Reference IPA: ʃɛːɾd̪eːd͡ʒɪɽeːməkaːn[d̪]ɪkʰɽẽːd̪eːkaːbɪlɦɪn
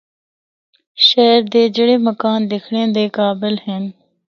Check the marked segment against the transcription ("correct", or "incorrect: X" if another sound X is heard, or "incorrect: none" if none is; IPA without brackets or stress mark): correct